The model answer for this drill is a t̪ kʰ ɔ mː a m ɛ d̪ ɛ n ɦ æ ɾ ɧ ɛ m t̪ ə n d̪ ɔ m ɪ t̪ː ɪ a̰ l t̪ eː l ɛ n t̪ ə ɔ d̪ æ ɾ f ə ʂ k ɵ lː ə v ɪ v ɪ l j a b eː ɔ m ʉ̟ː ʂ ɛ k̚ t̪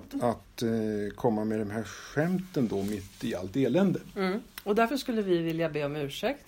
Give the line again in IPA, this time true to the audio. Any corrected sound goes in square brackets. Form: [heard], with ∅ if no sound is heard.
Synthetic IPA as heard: a t̪ kʰ ɔ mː a m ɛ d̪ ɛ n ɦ æ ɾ ɧ ɛ m t̪ ə n d̪ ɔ m ɪ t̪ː ɪ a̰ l t̪ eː l ɛ n [d̪] ə ɔ d̪ æ ɾ f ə ʂ k ɵ lː ə v ɪ v ɪ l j a b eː ɔ m ʉ̟ː ʂ ɛ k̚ t̪